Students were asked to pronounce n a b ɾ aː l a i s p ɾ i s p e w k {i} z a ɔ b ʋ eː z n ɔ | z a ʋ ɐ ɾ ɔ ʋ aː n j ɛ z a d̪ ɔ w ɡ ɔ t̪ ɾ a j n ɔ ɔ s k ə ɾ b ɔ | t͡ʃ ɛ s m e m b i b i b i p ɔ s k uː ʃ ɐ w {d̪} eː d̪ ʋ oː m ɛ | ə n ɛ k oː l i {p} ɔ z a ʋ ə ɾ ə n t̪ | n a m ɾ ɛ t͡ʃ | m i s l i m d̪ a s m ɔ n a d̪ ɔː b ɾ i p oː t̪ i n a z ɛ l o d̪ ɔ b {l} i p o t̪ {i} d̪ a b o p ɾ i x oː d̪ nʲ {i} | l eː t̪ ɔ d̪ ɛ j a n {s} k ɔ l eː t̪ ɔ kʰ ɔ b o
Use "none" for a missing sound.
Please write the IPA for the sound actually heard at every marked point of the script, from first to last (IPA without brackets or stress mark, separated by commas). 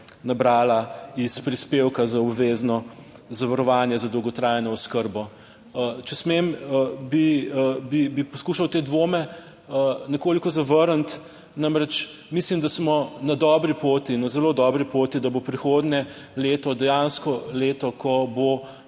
a, t̪, k, ɾ, i, ɛ, s